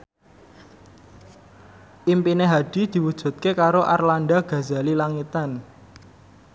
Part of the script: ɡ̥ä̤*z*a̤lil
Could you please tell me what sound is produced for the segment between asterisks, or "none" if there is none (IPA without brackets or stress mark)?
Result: z